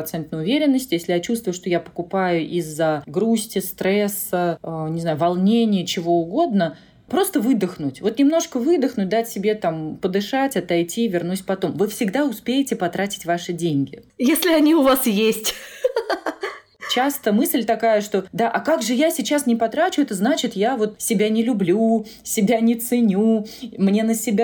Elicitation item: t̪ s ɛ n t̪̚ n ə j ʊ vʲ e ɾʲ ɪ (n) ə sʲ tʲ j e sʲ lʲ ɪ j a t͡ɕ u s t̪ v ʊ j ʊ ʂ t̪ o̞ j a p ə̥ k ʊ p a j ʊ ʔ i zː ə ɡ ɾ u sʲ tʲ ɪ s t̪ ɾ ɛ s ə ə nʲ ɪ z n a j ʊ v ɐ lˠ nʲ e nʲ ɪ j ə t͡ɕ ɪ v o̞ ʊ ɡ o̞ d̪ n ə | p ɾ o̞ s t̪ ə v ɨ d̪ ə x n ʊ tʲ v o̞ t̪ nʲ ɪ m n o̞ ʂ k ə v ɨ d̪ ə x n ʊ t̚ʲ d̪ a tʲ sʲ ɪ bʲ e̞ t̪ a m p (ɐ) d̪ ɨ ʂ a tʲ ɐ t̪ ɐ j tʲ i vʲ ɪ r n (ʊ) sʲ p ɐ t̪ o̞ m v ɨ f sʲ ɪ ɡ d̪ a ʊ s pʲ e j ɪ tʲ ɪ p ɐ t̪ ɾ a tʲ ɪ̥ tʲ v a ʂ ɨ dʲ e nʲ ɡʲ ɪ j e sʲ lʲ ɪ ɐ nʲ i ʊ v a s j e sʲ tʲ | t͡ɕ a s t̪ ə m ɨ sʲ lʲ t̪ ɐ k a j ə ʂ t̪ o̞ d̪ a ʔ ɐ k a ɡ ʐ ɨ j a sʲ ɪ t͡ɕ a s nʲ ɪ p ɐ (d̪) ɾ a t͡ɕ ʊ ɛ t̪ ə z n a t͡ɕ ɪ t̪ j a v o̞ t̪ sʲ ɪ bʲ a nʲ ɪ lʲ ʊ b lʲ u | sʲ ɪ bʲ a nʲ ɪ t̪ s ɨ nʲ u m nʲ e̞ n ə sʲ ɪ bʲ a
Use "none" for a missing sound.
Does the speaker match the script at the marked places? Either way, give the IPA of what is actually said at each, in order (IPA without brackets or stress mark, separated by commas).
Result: nː, ə, u, t̪